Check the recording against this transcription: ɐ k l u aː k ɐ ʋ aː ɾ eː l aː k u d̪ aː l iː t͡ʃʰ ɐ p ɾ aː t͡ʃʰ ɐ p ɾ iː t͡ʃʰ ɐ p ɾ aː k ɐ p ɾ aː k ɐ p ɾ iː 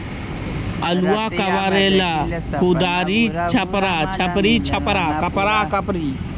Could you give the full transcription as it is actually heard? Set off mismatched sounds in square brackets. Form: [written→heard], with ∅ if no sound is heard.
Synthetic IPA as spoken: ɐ [k→∅] l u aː k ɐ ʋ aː ɾ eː l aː k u d̪ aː [l→ɾ] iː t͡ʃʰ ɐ p ɾ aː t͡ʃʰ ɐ p ɾ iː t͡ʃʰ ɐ p ɾ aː k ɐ p ɾ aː k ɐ p ɾ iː